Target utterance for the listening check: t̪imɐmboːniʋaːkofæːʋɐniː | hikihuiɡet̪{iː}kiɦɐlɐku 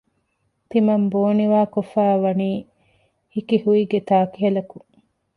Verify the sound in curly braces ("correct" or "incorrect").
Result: incorrect